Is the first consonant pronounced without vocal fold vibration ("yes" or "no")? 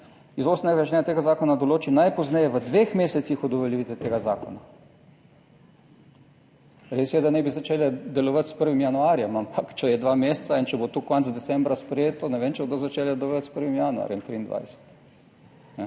no